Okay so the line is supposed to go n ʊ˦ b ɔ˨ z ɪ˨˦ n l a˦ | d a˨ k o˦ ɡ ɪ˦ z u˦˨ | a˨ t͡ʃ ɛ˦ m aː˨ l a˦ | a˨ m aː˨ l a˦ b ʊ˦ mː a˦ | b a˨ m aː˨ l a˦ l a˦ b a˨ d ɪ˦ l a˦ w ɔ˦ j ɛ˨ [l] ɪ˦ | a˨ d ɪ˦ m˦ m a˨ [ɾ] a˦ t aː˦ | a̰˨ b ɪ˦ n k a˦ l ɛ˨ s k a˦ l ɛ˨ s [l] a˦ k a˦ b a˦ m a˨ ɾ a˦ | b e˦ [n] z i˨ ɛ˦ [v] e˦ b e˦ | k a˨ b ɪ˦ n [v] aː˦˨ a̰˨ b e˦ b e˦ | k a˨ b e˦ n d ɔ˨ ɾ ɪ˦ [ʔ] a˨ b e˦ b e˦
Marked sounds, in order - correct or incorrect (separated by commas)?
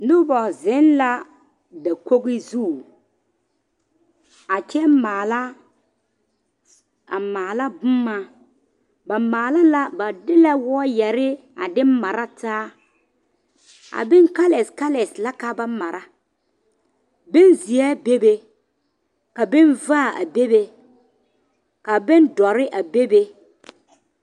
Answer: incorrect, correct, correct, correct, incorrect, correct, correct